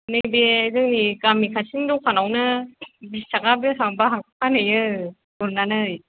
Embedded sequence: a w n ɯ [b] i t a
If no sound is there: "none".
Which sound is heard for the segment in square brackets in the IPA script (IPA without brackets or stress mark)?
b